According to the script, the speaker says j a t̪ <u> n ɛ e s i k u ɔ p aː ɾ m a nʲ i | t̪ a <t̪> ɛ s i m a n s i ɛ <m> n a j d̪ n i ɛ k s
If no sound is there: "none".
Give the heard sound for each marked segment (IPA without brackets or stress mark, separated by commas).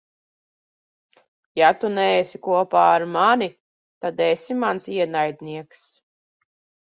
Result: u, d̪, none